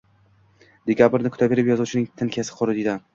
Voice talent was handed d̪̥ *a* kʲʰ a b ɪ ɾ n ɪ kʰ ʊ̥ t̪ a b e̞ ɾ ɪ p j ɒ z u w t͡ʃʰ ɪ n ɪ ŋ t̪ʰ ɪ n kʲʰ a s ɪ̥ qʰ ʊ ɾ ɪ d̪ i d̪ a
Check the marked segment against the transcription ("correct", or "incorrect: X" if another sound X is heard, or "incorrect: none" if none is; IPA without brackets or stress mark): incorrect: e